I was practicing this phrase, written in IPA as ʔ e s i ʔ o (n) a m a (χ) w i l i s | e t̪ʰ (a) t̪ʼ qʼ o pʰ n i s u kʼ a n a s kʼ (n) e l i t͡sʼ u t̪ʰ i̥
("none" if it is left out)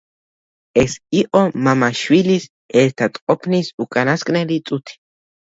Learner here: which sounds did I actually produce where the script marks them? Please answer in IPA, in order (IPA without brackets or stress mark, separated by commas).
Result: m, ʃ, a, n